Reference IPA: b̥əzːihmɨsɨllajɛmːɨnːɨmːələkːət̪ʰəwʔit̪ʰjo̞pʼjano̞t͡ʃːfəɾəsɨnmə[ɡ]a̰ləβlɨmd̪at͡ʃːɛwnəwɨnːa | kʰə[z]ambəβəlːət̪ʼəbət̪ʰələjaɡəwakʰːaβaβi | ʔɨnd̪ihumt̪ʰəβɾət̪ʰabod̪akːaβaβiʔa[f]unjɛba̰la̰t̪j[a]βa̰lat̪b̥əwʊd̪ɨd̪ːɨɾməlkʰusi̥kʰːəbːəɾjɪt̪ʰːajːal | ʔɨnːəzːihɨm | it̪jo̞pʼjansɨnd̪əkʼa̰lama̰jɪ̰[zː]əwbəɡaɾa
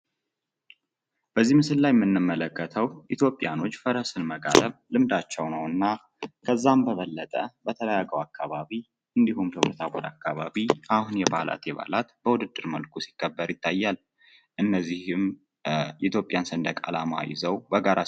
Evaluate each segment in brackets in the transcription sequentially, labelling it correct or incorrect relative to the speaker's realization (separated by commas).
correct, incorrect, incorrect, incorrect, incorrect